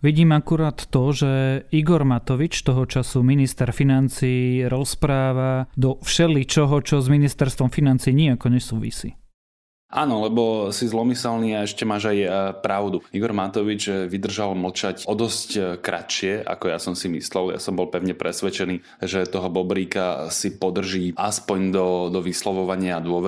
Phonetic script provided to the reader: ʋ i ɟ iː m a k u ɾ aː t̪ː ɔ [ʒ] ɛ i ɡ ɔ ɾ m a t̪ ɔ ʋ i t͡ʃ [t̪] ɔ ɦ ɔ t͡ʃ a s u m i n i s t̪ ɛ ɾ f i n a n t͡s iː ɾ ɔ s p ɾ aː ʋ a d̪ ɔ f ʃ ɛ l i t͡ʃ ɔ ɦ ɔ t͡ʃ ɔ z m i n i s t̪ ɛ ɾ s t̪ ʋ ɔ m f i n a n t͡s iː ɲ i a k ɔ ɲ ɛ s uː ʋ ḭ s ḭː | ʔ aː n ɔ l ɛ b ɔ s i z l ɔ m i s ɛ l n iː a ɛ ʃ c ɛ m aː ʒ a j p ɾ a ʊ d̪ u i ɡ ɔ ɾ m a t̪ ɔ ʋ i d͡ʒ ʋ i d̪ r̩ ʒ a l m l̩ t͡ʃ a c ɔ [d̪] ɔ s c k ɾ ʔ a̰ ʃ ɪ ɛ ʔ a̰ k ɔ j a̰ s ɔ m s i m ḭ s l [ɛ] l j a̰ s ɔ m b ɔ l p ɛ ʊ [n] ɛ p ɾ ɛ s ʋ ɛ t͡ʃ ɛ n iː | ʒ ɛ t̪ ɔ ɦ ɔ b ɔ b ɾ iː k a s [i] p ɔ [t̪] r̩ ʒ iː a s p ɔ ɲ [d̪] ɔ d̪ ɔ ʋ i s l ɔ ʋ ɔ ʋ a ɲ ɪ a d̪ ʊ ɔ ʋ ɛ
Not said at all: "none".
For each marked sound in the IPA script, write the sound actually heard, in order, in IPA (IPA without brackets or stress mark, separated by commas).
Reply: ʒ, t̪, d̪, ɛ, ɲ, i, d̪, d̪